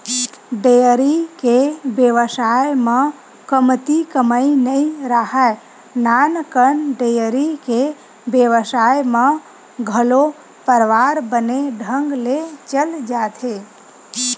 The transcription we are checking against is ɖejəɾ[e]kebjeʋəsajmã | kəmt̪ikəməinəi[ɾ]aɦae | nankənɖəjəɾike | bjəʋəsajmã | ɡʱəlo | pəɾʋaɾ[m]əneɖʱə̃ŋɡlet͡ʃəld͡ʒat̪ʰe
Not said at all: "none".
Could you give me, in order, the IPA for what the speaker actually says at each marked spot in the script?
i, ɾ, b

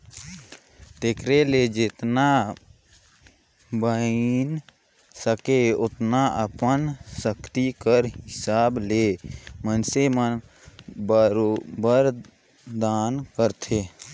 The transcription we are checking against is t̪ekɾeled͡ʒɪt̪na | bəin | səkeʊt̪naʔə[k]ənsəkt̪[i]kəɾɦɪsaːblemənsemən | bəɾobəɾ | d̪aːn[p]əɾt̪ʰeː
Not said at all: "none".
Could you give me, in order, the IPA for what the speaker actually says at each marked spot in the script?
p, i, k

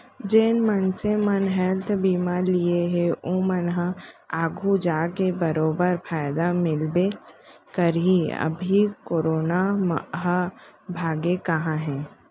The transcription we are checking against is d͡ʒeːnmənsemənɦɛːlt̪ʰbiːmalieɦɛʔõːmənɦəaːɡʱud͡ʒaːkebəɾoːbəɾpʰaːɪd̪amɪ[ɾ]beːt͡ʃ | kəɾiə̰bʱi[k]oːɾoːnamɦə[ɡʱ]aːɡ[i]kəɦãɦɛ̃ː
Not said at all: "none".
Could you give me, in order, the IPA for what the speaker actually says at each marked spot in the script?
l, k, bʱ, e

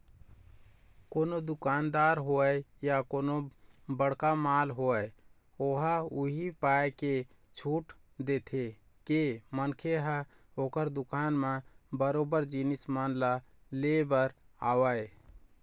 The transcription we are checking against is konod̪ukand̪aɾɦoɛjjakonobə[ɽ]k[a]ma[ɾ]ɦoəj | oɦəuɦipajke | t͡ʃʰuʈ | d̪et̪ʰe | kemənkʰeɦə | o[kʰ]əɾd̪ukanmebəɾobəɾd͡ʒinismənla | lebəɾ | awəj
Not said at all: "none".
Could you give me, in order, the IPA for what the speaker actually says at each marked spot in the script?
ɽ, a, l, k

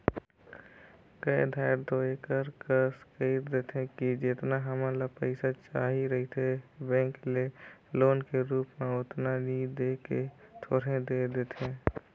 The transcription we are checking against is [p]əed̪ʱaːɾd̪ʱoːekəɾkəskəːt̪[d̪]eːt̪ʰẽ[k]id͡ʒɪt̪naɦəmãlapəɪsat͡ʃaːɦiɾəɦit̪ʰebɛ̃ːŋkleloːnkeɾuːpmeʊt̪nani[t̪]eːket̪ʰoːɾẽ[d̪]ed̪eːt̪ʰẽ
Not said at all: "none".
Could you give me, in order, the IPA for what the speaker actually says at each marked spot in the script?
k, d̪, k, d̪, d̪

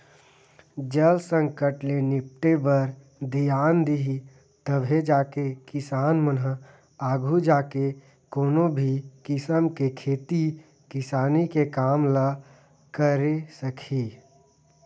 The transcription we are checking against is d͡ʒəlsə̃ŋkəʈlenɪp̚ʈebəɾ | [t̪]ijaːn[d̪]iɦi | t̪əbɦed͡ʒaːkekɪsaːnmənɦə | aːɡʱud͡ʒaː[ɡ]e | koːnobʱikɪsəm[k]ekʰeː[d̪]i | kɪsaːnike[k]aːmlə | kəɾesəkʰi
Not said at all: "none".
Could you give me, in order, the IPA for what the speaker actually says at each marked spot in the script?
d̪, d̪, k, k, t̪, k

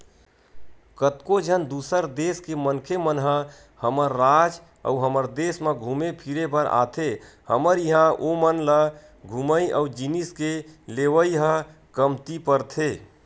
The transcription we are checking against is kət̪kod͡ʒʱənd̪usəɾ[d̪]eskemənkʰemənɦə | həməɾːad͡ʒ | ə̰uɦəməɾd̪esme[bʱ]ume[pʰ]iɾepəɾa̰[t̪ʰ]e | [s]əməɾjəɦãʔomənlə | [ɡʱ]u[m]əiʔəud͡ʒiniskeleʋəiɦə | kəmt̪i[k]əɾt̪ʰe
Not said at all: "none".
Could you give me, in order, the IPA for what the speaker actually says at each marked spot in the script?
d̪, ɡʱ, pʰ, t̪ʰ, h, ɡʱ, m, p

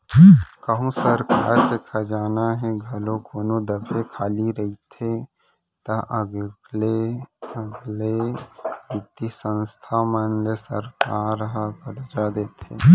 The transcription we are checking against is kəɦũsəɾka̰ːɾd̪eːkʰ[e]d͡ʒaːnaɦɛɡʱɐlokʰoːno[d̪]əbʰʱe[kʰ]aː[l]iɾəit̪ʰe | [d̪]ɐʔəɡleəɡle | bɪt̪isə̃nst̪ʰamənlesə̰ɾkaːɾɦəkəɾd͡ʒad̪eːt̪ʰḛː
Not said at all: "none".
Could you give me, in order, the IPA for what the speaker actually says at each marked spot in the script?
a, d̪, kʰ, l, t̪

